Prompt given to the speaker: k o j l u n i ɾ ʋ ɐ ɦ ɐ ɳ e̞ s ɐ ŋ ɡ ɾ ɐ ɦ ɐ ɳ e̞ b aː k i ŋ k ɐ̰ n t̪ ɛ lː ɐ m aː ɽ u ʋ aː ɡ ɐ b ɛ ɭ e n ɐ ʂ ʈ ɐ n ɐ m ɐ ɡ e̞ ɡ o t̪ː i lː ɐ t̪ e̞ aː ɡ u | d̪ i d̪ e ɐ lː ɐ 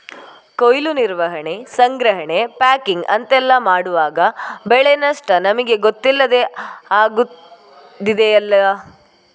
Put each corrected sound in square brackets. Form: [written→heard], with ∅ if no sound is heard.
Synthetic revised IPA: k o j l u n i ɾ ʋ ɐ ɦ ɐ ɳ e̞ s ɐ ŋ ɡ ɾ ɐ ɦ ɐ ɳ e̞ [b→p] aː k i ŋ [k→ɡ] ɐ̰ n t̪ ɛ lː ɐ m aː ɽ u ʋ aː ɡ ɐ b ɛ ɭ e n ɐ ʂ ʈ ɐ n ɐ m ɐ ɡ e̞ ɡ o t̪ː i lː ɐ [t̪→d̪] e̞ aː ɡ u | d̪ i d̪ e ɐ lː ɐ